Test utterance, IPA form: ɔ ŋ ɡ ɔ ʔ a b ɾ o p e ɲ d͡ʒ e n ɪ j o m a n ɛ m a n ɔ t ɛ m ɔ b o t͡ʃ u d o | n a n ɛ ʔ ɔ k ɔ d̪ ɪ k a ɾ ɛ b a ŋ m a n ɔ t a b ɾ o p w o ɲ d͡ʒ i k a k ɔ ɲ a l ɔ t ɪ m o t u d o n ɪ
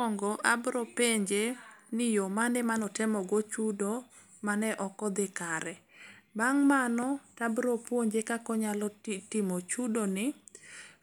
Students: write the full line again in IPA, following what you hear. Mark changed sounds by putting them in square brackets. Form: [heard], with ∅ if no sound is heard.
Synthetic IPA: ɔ ŋ ɡ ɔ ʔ a b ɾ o p e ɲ d͡ʒ e n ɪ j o m a n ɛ m a n ɔ t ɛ m ɔ [ɡ] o t͡ʃ u d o | [m] a n ɛ ʔ ɔ k ɔ d̪ ɪ k a ɾ ɛ b a ŋ m a n ɔ t a b ɾ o p w o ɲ d͡ʒ [e] k a k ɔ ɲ a l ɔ t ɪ m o [t͡ʃ] u d o n ɪ